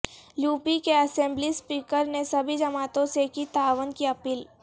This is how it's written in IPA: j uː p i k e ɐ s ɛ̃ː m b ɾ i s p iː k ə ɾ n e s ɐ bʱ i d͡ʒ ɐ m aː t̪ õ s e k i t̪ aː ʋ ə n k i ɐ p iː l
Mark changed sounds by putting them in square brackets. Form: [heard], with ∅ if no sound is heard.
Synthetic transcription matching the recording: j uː p i k e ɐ s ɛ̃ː m b [l] i s p iː k ə ɾ n e s ɐ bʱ i d͡ʒ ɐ m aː t̪ õ s e k i t̪ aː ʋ ə n k i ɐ p iː l